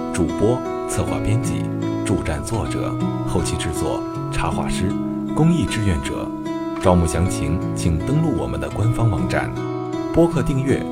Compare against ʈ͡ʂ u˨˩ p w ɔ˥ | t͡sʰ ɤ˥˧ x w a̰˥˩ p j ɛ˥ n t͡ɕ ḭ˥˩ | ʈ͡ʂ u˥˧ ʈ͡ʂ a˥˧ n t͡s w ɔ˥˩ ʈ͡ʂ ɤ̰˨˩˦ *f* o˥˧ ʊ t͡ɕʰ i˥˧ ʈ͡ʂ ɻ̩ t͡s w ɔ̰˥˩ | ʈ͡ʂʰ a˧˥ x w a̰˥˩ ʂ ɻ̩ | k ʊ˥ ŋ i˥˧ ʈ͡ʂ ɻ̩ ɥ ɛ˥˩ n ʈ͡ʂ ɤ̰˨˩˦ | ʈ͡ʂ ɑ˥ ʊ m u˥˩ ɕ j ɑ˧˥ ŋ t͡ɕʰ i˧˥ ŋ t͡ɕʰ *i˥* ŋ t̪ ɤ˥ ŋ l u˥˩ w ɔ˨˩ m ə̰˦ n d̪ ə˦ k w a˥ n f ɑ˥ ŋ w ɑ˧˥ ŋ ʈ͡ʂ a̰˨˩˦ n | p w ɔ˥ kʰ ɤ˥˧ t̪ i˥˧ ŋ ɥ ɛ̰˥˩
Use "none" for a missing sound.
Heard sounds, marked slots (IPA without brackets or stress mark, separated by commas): x, i˨˩